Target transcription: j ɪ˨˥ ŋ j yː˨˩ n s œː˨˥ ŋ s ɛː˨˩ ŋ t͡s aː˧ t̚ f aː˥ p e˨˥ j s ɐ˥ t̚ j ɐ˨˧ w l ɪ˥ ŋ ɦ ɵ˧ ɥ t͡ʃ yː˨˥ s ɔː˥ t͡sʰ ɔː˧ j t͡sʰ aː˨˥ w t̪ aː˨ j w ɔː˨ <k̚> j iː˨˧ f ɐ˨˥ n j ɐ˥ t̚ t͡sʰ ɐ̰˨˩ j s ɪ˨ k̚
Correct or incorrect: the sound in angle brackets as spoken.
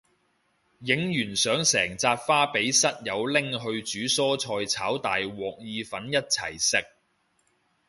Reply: correct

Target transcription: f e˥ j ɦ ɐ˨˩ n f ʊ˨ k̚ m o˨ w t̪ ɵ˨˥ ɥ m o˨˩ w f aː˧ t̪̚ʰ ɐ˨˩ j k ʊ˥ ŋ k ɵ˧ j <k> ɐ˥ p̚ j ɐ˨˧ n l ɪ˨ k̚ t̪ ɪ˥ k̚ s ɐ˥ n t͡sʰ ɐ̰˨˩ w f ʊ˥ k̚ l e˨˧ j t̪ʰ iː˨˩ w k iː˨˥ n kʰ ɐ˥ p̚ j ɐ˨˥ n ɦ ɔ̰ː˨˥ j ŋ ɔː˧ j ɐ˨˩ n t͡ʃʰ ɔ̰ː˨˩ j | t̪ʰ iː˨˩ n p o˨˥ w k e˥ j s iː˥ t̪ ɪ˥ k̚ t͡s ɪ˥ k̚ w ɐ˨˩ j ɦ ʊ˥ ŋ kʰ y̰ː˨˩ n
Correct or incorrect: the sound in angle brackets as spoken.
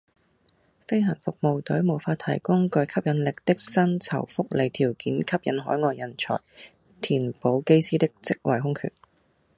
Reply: incorrect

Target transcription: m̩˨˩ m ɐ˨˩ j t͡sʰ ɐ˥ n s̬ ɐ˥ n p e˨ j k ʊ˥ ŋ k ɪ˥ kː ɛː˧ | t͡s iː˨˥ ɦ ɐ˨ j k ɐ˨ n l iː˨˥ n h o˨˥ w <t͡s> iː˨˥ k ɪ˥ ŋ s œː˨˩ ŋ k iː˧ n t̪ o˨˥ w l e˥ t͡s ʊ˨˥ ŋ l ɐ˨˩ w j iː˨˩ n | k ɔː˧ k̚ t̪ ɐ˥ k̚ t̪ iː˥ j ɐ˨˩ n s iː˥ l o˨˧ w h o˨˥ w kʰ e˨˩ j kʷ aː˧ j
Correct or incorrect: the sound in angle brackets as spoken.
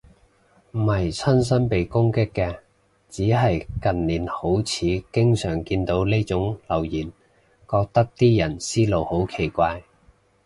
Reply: incorrect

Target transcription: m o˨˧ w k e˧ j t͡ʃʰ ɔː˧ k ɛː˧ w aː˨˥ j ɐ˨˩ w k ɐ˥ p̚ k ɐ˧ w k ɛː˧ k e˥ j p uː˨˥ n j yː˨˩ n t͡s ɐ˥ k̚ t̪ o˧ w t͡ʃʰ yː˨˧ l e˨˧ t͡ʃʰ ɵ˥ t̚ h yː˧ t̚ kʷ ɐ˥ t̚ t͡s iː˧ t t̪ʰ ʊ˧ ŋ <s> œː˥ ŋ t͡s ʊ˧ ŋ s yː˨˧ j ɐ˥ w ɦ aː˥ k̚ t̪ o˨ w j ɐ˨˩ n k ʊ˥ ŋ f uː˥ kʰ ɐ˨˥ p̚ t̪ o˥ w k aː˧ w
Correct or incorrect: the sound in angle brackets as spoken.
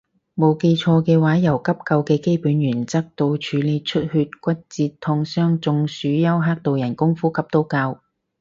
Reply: correct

